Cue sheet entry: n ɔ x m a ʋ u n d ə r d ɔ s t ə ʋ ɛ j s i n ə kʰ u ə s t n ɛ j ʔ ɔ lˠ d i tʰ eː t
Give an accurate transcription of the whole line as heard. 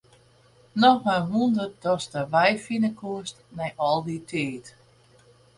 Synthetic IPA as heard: n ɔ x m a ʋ u n d ə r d ɔ s t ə ʋ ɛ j f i n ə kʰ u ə s t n ɛ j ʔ ɔ lˠ d i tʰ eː t